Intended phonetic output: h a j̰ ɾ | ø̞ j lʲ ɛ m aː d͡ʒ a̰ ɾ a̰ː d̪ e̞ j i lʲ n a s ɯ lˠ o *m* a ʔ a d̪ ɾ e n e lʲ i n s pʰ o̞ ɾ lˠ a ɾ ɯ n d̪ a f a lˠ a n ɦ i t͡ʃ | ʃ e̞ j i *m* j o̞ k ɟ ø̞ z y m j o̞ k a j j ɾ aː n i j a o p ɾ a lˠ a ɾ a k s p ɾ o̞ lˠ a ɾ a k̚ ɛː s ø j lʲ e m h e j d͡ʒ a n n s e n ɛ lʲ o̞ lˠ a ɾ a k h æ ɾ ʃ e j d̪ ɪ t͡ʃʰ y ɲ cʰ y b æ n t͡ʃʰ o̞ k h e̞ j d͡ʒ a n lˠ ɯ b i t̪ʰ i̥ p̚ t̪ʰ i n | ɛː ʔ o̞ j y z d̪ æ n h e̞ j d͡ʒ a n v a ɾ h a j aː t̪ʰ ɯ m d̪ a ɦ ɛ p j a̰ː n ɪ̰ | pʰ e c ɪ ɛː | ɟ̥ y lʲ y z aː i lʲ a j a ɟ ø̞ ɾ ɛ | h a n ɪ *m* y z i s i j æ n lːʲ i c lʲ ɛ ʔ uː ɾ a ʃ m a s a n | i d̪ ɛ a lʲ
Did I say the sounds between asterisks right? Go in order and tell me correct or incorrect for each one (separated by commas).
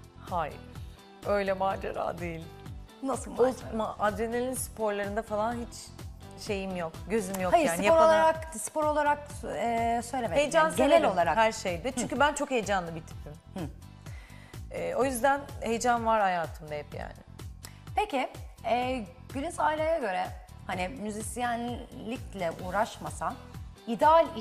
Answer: correct, correct, correct